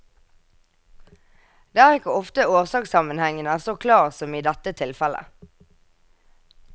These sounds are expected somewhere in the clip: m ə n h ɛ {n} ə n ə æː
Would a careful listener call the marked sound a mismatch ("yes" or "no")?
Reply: yes